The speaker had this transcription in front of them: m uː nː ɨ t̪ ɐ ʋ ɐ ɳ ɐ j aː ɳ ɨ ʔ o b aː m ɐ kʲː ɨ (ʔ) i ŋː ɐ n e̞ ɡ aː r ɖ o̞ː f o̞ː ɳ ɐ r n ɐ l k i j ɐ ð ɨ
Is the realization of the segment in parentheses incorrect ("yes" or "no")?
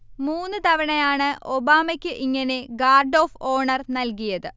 no